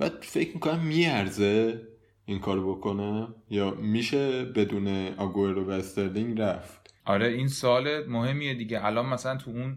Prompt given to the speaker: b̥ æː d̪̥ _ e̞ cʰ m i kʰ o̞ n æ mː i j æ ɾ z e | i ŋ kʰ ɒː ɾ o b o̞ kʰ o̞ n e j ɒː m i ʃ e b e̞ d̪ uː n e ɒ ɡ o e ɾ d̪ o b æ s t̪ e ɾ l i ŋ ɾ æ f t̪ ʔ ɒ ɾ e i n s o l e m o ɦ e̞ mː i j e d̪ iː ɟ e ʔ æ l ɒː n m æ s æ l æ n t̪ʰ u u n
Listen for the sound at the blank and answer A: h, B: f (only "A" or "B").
B